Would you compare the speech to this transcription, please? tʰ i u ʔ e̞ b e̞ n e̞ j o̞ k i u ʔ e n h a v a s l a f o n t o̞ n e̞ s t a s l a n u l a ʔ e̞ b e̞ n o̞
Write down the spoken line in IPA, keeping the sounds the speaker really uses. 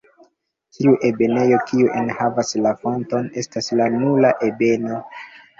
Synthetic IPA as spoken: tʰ i u ʔ e̞ b e̞ n e̞ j o̞ k i u ʔ e n h a v a s l a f o n t o̞ n e̞ s t a s l a n u l a ʔ e̞ b e̞ n o̞